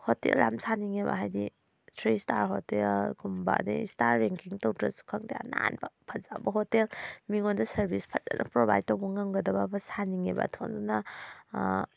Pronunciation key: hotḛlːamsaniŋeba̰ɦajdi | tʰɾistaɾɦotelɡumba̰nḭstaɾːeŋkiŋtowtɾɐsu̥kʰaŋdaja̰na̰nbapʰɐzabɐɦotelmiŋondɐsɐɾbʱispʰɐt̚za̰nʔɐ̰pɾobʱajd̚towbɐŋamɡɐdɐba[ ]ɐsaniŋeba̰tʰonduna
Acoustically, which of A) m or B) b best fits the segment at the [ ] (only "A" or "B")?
B